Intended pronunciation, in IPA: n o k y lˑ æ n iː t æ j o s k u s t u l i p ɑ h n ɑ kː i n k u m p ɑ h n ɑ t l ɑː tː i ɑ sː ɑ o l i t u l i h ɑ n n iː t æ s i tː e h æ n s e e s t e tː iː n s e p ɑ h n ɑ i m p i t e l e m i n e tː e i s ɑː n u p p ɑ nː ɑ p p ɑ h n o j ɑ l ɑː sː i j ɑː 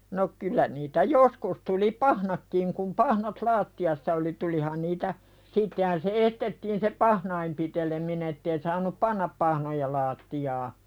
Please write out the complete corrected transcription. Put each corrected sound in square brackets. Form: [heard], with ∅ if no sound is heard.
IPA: n o k y lˑ æ n iː t æ j o s k u s t u l i p ɑ h n ɑ kː i [ŋ] k u m p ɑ h n ɑ t l ɑː tː i ɑ sː ɑ o l i t u l i h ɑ n n iː t æ s i tː e h æ n s e e s t e tː iː n s e p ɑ h n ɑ i m p i t e l e m i n e tː e i s ɑː n u p p ɑ nː ɑ p p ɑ h n o j ɑ l ɑː [tː] i j ɑː